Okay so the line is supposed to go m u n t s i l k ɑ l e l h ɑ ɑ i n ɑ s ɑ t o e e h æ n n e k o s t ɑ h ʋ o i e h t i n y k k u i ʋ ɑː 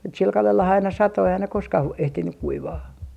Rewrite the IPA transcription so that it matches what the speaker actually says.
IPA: m u t s i l k ɑ l e l h ɑ ɑ i n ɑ s ɑ t o e i h æ n n e k o s k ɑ h ʋ o i e h t i n y k k u i ʋ ɑː